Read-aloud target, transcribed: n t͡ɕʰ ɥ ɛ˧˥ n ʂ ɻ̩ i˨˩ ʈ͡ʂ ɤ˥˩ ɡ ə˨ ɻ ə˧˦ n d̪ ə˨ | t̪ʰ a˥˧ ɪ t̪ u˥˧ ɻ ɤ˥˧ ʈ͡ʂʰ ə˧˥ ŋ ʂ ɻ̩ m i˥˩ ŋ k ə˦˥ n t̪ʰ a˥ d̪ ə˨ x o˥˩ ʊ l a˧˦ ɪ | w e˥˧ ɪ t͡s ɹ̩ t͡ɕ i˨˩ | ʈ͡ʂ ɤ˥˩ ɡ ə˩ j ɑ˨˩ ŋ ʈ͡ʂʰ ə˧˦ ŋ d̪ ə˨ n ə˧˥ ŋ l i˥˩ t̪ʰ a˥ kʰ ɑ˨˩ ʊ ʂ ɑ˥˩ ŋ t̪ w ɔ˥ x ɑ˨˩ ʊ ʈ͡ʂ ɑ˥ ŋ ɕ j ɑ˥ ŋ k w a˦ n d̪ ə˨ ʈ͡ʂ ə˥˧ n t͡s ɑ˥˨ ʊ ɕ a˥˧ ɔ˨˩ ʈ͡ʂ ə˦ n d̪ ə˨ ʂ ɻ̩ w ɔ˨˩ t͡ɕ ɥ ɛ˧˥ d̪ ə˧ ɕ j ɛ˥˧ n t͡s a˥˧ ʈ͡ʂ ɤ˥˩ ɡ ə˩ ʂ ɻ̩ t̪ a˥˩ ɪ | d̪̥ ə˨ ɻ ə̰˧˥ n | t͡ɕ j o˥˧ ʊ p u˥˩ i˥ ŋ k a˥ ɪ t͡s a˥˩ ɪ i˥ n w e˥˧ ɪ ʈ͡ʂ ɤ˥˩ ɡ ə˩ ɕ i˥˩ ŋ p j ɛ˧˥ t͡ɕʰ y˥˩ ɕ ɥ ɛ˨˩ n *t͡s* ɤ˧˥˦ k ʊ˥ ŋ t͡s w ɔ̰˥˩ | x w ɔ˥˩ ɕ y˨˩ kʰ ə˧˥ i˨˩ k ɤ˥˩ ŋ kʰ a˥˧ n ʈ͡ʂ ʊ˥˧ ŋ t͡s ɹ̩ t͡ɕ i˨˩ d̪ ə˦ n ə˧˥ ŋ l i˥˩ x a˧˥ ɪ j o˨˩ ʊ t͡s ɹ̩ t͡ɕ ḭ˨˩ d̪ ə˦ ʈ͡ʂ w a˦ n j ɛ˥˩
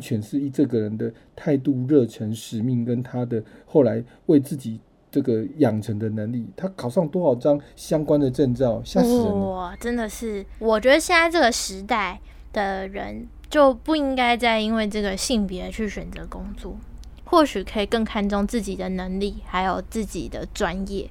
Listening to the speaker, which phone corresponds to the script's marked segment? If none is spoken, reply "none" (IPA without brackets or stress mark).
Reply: t͡s